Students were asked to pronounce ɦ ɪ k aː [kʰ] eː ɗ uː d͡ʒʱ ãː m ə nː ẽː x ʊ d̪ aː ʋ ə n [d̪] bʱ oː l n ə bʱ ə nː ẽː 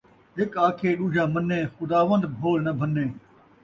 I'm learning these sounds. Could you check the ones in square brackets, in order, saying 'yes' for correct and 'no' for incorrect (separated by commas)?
yes, yes